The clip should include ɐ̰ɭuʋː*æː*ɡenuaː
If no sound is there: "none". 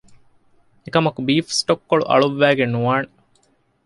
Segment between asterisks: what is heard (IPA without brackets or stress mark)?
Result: æː